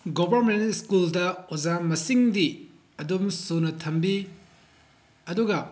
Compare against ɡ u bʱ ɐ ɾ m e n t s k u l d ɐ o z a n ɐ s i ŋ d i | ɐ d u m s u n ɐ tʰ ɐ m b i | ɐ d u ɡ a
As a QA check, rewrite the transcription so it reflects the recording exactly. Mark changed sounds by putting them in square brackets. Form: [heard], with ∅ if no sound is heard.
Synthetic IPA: ɡ [o] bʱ ɐ ɾ m e n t s k u l d ɐ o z a [m] ɐ s i ŋ d i | ɐ d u m s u n ɐ tʰ ɐ m b i | ɐ d u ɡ [ɐ]